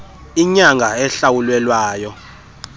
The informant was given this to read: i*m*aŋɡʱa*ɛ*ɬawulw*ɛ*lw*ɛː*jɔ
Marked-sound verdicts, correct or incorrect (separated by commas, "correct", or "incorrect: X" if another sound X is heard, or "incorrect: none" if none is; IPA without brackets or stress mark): incorrect: ɲ, correct, correct, incorrect: aː